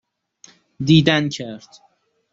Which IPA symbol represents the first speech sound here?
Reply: d̪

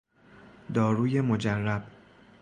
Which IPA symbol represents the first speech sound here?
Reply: d̪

